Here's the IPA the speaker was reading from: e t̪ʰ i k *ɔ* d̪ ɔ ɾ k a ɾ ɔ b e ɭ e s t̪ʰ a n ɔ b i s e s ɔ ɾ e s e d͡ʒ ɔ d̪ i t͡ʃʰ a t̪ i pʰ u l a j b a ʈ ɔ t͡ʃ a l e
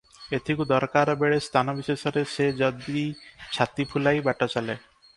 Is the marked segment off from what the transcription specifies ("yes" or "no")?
yes